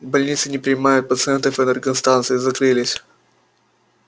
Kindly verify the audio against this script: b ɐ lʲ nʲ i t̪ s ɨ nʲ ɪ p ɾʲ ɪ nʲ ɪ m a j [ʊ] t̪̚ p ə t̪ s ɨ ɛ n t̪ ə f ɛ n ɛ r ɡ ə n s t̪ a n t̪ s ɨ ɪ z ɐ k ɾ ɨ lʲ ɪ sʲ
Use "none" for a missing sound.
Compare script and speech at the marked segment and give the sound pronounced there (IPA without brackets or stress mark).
ʊ